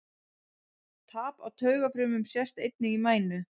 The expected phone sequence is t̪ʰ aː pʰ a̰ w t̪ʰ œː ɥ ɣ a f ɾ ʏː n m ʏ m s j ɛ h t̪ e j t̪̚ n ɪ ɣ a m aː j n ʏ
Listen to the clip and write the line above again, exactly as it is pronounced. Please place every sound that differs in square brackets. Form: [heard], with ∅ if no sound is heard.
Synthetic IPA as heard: t̪ʰ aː [p] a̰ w t̪ʰ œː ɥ ɣ a f ɾ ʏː [∅] m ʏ m s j ɛ [s] t̪ e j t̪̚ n ɪ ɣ [i] m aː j n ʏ